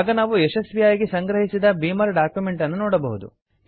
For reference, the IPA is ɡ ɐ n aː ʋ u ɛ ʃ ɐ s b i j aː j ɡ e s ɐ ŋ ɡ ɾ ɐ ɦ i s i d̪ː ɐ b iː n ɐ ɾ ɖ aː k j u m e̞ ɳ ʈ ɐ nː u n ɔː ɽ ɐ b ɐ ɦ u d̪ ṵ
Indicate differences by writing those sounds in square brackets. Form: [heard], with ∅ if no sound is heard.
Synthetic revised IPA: ɡ ɐ n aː ʋ u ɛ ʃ ɐ s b i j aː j ɡ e s ɐ ŋ ɡ ɾ ɐ ɦ i s i [d̪] ɐ b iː [m] ɐ ɾ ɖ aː k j u m e̞ ɳ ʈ ɐ nː u n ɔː ɽ ɐ b ɐ ɦ u d̪ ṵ